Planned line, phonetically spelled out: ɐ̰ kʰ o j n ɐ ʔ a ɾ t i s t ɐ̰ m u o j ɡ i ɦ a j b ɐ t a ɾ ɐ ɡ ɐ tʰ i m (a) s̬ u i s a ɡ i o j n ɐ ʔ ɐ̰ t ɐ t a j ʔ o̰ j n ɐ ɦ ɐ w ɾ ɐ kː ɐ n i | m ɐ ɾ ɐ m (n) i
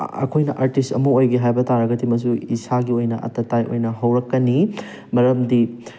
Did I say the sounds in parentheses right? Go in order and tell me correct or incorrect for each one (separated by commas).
incorrect, incorrect